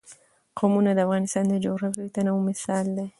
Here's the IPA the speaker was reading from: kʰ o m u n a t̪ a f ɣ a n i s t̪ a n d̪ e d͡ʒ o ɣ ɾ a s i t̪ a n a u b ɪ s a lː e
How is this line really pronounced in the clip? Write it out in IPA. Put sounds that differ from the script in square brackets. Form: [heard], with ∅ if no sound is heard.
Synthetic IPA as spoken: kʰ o m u n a [d̪] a f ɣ a n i s t̪ a n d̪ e d͡ʒ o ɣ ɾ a [f] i t̪ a n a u [m] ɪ s a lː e